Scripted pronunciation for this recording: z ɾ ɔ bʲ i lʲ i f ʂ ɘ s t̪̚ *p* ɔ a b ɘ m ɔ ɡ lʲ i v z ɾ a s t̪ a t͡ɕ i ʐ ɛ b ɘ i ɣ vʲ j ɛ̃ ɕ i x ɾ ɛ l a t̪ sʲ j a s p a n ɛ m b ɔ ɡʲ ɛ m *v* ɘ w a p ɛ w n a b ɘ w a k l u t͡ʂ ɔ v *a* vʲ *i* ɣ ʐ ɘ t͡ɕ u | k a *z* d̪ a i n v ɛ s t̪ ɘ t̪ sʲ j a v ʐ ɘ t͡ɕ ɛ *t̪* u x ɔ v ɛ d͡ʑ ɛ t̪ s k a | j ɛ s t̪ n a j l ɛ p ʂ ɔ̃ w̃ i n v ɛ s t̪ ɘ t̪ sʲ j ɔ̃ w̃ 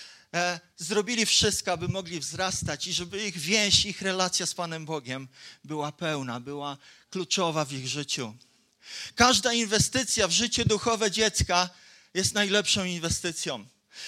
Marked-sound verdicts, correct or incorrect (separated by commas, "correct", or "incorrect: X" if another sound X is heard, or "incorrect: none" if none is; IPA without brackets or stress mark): incorrect: k, incorrect: b, correct, correct, incorrect: ʐ, incorrect: d̪